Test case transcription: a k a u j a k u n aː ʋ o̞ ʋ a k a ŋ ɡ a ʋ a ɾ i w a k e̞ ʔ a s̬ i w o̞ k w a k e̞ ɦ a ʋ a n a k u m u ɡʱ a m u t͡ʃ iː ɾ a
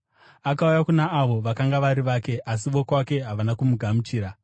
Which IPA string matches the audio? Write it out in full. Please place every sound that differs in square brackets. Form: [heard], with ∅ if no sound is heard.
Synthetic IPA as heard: a k a u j a k u n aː ʋ o̞ ʋ a k a ŋ ɡ a ʋ a ɾ i [ʋ] a k e̞ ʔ a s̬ i [ʋ] o̞ k w a k e̞ ɦ a ʋ a n a k u m u ɡʱ a m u t͡ʃ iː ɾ a